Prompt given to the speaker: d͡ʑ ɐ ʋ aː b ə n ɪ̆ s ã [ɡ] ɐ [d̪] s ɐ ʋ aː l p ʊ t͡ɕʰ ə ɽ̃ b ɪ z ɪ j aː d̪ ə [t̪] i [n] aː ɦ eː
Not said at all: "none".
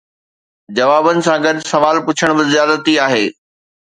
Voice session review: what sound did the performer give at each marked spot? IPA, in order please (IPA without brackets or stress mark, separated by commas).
ɡ, d̪, t̪, none